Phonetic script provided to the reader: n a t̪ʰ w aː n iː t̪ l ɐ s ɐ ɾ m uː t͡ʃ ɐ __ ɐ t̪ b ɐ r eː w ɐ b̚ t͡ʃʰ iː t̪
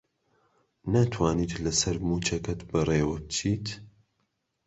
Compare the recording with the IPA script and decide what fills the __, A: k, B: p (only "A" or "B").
A